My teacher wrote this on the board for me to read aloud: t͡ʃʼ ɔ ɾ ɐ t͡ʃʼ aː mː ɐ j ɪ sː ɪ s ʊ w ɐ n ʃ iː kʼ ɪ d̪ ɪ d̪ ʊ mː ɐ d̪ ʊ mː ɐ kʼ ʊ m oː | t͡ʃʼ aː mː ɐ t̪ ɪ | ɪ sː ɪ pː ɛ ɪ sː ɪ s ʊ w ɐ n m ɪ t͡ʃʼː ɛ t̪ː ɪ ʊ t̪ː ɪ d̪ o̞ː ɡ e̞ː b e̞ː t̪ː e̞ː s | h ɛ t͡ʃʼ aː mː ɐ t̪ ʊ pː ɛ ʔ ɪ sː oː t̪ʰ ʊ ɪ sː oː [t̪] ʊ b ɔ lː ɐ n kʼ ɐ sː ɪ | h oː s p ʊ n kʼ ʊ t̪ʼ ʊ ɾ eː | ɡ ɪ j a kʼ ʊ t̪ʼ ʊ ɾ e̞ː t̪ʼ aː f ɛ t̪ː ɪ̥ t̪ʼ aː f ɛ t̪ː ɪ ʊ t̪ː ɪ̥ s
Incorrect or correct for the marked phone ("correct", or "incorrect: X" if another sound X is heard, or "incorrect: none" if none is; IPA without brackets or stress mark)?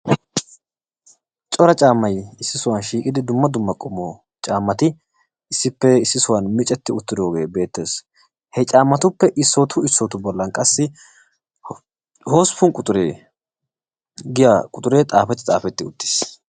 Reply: correct